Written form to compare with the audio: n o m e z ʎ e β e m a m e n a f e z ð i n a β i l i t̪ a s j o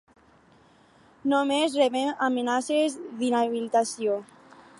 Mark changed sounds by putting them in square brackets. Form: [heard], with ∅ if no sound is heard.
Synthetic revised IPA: n o m e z [r] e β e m a m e n a [s] e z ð i n a β i l i t̪ a s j o